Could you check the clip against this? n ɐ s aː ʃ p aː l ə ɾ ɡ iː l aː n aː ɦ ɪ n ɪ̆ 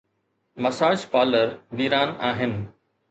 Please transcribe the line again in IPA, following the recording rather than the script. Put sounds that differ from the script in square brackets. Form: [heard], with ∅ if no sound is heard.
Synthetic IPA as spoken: [m] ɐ s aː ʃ p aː l ə ɾ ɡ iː [ɾ] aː n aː ɦ ɪ n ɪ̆